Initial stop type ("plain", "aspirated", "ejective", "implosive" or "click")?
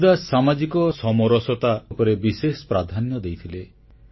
plain